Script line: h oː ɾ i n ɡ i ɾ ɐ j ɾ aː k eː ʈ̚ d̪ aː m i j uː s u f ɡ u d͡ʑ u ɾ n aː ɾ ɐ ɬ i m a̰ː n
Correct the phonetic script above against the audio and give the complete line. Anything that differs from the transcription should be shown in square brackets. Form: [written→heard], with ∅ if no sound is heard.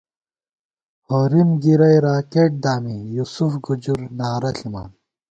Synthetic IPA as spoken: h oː ɾ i [n→m] ɡ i ɾ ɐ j ɾ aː k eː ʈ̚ d̪ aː m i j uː s u f ɡ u d͡ʑ u ɾ n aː ɾ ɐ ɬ i m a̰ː n

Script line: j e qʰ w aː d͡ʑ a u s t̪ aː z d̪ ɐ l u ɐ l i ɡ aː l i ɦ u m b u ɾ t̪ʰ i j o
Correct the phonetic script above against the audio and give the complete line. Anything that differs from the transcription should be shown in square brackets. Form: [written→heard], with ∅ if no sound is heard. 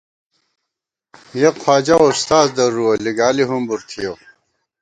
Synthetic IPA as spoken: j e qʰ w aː d͡ʑ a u s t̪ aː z d̪ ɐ [l→ɾ] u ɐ l i ɡ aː l i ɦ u m b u ɾ t̪ʰ i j o

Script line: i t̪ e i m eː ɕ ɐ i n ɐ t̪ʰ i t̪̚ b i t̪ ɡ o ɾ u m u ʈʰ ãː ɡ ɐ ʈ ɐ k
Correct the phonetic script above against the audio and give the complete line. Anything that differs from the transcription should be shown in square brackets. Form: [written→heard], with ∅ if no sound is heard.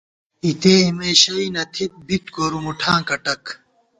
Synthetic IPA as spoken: i t̪ e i m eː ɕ ɐ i n ɐ t̪ʰ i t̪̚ b i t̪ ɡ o ɾ u m u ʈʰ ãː [ɡ→k] ɐ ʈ ɐ k

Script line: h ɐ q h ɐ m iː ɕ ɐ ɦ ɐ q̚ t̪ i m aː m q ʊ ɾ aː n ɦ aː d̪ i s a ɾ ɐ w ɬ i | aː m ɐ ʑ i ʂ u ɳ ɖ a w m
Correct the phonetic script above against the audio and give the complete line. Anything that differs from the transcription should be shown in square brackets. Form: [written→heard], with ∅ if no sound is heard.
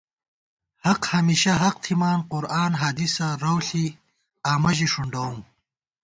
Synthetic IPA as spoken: h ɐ q h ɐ m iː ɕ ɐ ɦ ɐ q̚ [t̪→t̪ʰ] i m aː [m→n] q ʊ ɾ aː n ɦ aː d̪ i s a ɾ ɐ w ɬ i | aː m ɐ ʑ i ʂ u ɳ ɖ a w m

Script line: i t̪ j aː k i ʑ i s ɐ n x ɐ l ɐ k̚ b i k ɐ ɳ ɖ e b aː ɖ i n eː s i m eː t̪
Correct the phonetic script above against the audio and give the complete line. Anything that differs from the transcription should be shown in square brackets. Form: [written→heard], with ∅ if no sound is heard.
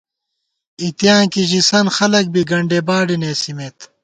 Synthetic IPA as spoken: i t̪ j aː k i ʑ i s ɐ n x ɐ l ɐ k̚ b i [k→ɡ] ɐ ɳ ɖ e b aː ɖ i n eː s i m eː t̪

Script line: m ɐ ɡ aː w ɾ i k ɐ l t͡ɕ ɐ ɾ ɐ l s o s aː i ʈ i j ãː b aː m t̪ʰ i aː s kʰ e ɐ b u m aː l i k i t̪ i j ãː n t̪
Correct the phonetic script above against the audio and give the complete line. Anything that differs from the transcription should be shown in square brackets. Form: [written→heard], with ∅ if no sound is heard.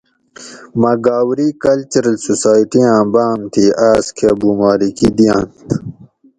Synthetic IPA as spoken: m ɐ ɡ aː w ɾ i k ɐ l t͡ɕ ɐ ɾ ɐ l s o s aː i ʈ i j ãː b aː m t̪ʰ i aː s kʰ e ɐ b u m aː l i k i [t̪→d̪] i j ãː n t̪

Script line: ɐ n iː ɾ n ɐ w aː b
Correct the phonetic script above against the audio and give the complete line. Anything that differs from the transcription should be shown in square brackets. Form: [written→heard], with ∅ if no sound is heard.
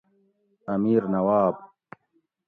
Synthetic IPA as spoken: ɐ [n→m] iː ɾ n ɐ w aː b

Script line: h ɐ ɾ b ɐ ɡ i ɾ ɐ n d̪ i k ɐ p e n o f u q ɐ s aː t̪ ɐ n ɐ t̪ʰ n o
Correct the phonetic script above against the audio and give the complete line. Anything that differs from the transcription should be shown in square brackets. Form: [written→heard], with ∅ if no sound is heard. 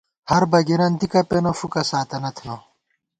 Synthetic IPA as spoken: h ɐ ɾ b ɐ ɡ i ɾ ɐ n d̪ i k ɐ p e n o f u [q→k] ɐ s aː t̪ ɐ n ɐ t̪ʰ n o

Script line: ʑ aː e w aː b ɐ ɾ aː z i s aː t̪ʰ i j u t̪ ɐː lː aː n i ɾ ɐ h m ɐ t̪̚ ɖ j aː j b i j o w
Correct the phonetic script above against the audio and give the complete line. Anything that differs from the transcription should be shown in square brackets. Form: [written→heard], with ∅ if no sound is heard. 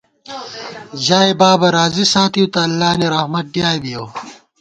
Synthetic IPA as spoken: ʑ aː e [w→b] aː b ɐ ɾ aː z i s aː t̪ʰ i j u t̪ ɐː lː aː n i ɾ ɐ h m ɐ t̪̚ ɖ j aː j b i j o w

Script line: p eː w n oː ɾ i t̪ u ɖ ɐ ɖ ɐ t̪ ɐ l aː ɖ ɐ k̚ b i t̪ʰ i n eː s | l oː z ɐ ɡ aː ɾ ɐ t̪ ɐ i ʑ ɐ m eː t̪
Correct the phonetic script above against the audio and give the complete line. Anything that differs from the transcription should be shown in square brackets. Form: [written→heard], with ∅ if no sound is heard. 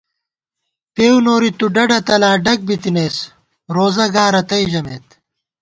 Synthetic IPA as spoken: p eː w n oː ɾ i t̪ u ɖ ɐ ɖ ɐ t̪ ɐ l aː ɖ ɐ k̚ b i [t̪ʰ→t̪] i n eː s | [l→ɾ] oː z ɐ ɡ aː ɾ ɐ t̪ ɐ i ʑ ɐ m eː t̪

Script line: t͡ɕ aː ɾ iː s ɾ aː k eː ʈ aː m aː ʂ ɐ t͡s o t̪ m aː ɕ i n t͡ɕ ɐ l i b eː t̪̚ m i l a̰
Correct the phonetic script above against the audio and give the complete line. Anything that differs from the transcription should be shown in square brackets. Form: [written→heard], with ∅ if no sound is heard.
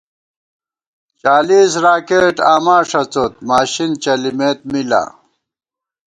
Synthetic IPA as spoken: t͡ɕ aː [ɾ→l] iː s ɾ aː k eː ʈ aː m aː ʂ ɐ t͡s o t̪ m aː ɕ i n t͡ɕ ɐ l i [b→m] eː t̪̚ m i l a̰

